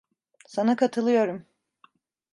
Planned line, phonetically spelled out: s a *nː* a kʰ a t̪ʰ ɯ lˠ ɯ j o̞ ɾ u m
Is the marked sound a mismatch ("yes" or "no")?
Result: yes